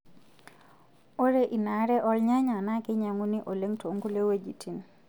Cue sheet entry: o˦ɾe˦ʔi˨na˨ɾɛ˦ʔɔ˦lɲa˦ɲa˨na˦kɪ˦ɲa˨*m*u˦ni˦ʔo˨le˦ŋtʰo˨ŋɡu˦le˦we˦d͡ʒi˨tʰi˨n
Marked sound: incorrect: ŋ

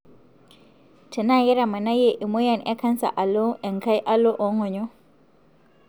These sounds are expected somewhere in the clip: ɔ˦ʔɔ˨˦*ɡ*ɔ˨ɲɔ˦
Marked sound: incorrect: ŋ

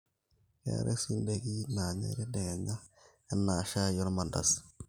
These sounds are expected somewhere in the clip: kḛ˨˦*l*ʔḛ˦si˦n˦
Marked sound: incorrect: ɾ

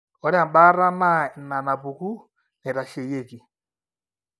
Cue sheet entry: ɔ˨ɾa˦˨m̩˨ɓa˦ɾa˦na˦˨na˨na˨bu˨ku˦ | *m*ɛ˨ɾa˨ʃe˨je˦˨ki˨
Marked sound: incorrect: n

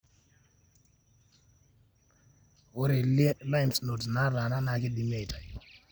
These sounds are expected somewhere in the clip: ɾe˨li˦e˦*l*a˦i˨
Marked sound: correct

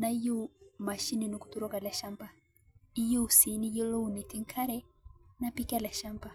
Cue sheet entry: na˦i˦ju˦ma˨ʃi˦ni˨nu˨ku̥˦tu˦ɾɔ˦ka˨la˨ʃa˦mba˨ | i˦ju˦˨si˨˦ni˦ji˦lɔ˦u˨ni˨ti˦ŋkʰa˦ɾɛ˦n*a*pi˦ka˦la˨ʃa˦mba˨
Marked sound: correct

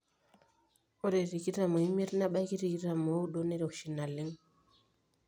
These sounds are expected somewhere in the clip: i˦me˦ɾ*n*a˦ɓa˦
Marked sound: correct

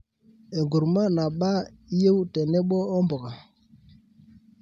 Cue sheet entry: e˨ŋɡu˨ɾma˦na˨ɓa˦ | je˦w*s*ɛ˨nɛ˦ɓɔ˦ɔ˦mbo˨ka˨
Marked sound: incorrect: t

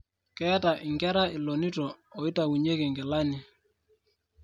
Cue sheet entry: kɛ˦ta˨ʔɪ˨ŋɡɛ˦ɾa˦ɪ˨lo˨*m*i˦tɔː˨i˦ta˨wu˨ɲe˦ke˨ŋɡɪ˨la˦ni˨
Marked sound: incorrect: n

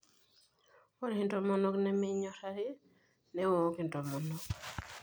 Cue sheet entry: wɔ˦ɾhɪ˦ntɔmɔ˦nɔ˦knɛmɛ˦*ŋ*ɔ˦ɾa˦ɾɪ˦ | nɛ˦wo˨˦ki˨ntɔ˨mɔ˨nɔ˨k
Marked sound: incorrect: ɲ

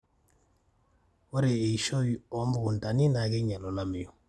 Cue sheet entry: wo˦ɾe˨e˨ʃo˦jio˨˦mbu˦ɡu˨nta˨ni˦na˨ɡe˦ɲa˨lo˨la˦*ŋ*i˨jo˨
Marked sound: incorrect: m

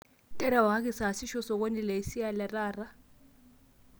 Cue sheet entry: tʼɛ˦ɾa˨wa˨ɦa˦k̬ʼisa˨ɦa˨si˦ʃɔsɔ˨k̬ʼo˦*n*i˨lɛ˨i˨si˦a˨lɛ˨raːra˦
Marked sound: correct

